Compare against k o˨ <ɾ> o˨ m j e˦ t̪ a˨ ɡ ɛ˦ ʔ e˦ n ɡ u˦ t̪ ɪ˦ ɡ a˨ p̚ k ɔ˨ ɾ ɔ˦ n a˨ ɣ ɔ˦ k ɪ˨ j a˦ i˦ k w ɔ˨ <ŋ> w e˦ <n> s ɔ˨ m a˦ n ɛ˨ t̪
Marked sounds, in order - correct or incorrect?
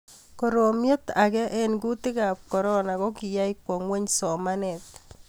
correct, correct, incorrect

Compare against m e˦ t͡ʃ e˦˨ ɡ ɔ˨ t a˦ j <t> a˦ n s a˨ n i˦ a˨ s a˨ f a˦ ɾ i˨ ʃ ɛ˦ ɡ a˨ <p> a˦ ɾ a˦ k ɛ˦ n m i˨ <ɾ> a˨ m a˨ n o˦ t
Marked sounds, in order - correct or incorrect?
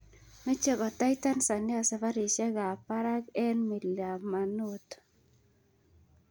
correct, correct, incorrect

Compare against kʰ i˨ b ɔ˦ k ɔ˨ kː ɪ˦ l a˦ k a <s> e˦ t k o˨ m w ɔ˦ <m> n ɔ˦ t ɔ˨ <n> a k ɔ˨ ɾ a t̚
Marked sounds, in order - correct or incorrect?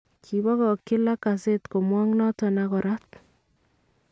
correct, incorrect, correct

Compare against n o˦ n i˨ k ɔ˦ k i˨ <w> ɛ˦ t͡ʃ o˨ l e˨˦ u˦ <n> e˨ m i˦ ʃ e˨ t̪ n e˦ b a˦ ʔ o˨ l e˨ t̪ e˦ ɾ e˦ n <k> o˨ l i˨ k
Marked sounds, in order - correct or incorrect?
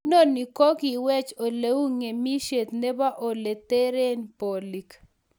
correct, incorrect, incorrect

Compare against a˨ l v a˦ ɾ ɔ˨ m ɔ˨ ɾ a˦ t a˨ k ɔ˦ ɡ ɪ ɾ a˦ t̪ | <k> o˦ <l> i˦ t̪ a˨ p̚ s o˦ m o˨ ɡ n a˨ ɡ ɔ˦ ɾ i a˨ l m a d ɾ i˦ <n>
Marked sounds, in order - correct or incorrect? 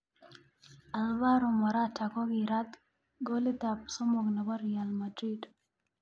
incorrect, correct, incorrect

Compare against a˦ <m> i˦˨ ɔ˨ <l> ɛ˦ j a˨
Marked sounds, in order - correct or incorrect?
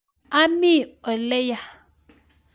correct, correct

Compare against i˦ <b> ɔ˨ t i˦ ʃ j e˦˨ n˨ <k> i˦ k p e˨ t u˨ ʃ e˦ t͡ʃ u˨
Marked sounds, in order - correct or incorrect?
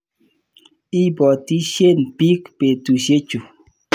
correct, incorrect

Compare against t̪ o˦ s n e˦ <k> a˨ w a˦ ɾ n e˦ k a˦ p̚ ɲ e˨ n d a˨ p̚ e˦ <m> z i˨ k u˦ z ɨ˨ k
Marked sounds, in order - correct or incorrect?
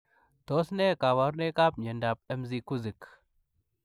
correct, correct

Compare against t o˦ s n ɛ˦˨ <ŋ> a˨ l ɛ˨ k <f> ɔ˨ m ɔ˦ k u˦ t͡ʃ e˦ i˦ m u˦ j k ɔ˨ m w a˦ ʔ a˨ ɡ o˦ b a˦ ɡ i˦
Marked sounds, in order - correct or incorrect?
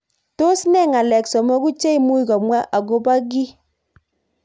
correct, incorrect

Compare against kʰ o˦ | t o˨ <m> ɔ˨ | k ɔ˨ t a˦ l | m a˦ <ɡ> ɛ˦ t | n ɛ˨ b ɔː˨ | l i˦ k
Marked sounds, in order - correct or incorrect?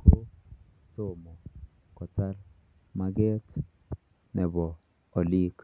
correct, correct

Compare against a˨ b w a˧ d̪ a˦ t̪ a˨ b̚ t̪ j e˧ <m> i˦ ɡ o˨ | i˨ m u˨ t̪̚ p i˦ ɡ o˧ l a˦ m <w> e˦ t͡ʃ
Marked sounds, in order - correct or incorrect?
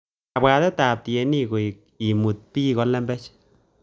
incorrect, incorrect

